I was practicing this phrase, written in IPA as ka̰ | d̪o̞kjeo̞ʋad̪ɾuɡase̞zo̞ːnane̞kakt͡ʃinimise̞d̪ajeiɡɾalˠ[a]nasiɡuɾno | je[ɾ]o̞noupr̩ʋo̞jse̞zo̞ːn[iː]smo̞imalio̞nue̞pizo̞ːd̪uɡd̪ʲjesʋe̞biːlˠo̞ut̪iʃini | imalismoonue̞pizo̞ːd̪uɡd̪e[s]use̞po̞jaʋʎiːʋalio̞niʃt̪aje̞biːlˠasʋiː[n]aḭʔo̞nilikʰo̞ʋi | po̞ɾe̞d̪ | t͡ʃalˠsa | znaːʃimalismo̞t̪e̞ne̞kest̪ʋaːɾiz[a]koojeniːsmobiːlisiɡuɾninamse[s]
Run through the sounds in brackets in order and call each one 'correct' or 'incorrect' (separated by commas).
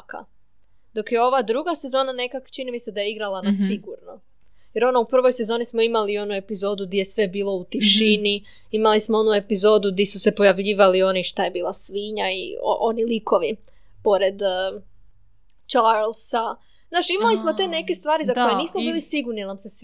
correct, correct, incorrect, correct, incorrect, correct, correct